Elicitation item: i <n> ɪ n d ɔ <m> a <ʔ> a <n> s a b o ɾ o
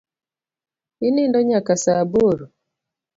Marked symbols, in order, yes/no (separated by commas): yes, no, no, no